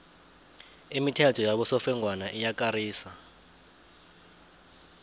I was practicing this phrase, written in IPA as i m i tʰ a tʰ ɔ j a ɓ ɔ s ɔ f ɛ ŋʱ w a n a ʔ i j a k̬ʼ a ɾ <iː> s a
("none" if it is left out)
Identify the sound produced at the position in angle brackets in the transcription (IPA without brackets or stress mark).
iː